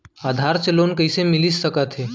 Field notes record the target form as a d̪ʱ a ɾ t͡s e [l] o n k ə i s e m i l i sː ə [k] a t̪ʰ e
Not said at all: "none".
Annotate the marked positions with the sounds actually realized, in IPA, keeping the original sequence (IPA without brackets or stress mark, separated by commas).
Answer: l, k